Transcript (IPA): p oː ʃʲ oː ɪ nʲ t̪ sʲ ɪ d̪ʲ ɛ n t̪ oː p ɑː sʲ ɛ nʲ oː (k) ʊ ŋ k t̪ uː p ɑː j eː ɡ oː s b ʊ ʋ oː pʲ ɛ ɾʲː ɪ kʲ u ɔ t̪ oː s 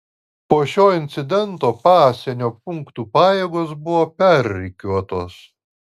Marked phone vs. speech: incorrect: p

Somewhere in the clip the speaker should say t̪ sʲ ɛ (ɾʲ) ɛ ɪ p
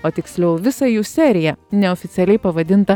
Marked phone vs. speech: incorrect: lʲ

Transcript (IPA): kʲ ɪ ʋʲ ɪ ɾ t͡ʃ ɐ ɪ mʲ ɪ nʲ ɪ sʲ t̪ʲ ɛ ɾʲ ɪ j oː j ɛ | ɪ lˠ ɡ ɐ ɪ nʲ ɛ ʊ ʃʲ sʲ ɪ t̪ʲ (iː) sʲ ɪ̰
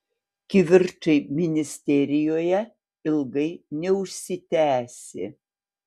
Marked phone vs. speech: incorrect: æː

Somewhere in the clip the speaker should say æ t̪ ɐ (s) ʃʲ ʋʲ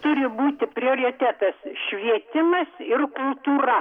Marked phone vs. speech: correct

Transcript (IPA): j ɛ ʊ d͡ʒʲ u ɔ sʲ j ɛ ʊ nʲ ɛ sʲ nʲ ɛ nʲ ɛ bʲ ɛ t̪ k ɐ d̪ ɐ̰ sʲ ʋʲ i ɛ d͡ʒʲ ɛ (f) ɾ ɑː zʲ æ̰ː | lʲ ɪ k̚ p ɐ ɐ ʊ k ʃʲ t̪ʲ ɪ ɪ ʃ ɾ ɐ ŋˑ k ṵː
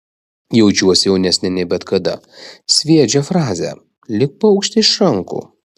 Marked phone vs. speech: correct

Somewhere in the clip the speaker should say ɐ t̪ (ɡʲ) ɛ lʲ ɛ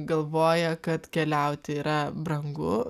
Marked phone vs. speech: incorrect: kʲ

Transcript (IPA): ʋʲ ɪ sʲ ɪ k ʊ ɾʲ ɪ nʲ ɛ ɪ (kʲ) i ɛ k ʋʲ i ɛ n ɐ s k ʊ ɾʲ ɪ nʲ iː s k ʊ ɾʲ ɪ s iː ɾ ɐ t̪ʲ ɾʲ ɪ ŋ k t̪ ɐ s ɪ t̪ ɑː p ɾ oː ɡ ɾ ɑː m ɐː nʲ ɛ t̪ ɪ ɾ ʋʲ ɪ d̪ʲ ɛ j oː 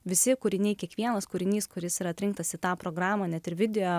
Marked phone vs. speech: correct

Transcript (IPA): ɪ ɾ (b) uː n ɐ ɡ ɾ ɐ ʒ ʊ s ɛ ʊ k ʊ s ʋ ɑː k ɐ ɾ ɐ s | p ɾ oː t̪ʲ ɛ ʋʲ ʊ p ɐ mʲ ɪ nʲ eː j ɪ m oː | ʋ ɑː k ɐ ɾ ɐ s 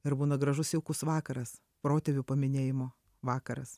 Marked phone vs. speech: correct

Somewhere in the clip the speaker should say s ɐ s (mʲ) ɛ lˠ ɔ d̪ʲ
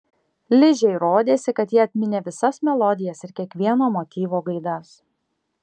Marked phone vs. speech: correct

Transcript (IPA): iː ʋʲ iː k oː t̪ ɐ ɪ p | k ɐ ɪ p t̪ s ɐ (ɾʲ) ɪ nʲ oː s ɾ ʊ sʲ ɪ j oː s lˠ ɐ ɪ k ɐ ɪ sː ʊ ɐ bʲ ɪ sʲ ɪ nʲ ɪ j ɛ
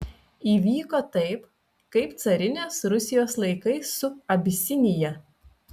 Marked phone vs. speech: correct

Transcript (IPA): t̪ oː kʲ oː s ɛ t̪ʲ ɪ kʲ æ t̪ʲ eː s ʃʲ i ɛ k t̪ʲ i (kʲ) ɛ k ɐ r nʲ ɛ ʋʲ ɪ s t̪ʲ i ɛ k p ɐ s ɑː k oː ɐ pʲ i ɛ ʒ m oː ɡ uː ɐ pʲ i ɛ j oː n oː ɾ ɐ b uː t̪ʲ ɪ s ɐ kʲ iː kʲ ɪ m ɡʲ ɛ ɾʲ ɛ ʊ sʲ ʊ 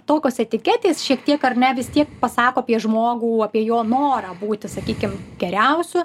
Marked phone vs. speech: incorrect: none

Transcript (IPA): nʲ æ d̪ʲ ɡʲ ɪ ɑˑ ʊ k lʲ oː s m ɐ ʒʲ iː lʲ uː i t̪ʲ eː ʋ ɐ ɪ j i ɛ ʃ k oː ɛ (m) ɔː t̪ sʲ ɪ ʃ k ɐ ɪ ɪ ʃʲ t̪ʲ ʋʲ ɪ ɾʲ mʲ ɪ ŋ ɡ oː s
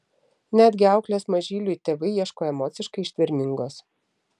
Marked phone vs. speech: correct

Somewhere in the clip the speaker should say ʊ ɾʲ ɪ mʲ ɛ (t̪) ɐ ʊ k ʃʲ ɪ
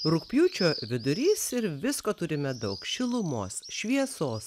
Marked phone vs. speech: incorrect: d̪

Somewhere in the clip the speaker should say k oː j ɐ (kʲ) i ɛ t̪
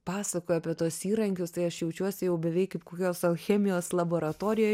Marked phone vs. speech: incorrect: pʲ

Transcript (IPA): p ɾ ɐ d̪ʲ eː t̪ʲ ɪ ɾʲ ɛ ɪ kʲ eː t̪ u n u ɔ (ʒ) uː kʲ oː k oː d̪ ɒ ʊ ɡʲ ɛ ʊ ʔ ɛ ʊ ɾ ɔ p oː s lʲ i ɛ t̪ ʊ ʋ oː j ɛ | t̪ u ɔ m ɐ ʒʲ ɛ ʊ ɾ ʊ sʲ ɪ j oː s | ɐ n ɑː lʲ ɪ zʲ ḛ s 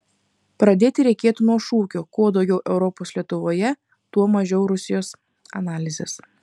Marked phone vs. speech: incorrect: ʃ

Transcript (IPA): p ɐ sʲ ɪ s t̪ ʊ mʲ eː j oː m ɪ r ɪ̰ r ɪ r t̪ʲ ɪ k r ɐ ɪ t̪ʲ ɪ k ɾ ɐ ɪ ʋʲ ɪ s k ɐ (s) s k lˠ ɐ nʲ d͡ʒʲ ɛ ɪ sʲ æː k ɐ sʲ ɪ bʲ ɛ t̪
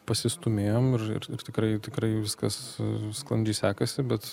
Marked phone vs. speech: correct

